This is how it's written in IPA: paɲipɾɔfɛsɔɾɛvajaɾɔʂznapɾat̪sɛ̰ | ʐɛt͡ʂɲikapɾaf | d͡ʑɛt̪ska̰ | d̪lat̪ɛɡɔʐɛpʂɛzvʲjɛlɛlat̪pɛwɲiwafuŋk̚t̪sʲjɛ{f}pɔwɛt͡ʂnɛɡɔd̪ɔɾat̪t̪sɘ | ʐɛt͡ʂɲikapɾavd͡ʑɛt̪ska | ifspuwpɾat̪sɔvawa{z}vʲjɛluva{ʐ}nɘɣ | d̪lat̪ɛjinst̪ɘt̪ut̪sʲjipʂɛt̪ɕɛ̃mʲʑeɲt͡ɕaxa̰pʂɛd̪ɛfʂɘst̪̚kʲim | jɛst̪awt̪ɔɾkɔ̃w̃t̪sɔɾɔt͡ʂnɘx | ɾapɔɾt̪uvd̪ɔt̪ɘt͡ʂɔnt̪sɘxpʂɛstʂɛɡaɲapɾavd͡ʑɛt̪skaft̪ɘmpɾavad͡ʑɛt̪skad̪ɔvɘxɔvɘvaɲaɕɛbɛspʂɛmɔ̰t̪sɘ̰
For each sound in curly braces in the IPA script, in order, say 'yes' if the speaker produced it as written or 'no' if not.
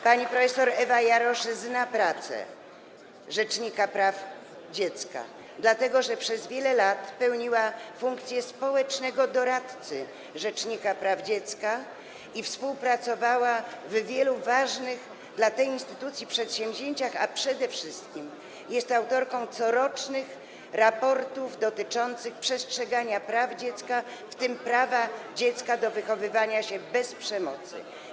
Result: no, no, yes

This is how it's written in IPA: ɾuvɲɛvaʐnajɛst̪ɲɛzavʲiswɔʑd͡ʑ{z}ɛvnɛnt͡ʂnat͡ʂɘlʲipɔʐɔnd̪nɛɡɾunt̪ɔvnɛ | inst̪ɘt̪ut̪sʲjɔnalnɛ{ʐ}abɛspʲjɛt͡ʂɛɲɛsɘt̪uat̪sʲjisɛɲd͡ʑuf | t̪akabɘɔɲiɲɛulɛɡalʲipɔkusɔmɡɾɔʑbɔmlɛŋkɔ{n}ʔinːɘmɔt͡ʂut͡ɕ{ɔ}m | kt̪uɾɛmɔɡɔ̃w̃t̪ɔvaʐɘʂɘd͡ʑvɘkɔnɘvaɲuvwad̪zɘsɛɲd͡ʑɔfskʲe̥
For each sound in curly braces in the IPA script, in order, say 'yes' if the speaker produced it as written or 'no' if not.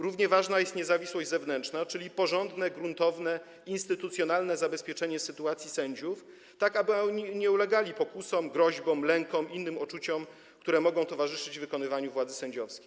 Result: yes, no, no, yes

